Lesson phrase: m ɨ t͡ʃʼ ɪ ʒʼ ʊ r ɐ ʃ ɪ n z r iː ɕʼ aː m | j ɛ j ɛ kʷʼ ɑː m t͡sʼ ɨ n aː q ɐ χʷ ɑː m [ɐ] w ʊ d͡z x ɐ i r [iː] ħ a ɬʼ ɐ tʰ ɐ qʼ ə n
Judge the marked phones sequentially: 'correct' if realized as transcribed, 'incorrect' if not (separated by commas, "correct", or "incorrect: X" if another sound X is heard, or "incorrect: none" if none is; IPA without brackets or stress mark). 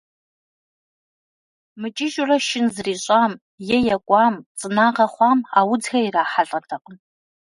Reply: incorrect: a, incorrect: aː